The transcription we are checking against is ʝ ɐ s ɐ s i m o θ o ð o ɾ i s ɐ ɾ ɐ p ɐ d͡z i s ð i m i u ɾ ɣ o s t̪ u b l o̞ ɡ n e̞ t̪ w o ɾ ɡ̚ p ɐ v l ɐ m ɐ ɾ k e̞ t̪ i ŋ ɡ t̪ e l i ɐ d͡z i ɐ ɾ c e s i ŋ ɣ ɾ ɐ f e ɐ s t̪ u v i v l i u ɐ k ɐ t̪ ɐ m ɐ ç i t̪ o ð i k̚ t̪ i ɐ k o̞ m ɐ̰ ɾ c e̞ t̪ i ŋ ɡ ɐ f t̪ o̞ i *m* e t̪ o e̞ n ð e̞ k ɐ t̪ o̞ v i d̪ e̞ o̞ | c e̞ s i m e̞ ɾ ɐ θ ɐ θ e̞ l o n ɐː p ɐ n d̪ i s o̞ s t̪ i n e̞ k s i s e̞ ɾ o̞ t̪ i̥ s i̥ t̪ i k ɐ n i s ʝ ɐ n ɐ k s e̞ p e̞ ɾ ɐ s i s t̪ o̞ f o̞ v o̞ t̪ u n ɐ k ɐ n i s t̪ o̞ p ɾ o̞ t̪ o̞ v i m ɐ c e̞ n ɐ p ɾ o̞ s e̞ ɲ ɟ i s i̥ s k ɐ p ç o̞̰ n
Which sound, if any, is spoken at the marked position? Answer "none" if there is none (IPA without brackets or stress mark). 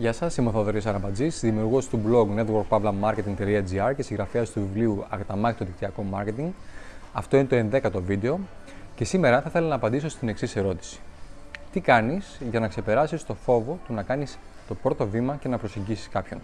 n